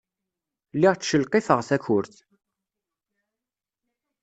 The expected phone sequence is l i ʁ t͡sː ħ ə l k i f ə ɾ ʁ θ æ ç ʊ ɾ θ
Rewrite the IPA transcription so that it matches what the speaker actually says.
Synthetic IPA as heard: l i ʁ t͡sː ʃ ə l q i f ə ʁ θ æ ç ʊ ɾ θ